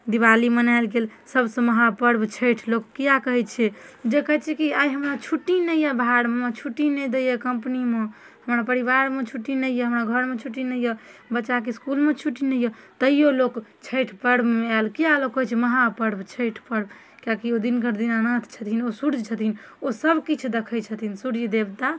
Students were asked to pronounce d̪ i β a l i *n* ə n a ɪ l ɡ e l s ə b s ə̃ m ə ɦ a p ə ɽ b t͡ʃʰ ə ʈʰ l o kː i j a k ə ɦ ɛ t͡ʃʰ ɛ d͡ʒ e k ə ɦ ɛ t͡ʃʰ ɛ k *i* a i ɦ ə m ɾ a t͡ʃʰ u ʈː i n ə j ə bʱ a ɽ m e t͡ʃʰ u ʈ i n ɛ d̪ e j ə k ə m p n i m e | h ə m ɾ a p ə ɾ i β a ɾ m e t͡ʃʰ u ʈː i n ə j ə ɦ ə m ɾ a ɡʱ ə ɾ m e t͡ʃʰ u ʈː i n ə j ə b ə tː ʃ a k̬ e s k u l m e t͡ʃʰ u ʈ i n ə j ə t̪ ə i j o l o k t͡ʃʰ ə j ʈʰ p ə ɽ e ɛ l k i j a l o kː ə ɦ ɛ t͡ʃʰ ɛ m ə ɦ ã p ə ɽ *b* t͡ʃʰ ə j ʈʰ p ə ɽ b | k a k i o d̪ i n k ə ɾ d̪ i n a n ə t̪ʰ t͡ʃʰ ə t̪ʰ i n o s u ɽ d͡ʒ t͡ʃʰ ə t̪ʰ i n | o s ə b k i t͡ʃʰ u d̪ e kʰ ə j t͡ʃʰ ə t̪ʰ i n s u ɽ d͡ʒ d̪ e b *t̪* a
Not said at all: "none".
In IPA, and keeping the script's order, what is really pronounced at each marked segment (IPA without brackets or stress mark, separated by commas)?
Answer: m, i, b, t̪